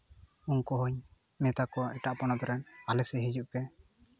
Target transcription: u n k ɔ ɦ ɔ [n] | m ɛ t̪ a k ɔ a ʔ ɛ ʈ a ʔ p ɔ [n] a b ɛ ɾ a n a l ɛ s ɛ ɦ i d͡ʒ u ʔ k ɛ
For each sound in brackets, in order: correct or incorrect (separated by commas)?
incorrect, correct